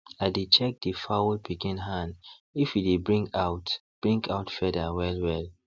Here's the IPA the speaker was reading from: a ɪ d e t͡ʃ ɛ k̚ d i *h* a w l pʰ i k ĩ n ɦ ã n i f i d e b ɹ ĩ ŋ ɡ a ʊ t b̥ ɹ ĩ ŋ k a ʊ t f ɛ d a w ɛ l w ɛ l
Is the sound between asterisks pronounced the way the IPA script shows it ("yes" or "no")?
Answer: no